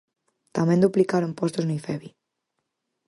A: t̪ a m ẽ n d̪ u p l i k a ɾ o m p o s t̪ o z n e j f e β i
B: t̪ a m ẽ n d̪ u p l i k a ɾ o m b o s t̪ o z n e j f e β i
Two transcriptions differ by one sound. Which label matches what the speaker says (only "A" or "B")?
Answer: A